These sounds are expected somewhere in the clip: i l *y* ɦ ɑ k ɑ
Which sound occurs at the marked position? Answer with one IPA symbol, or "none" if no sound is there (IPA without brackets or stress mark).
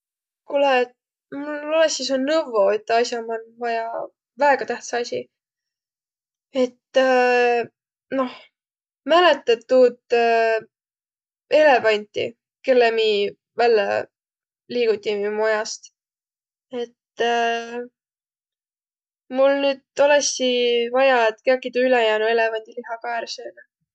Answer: i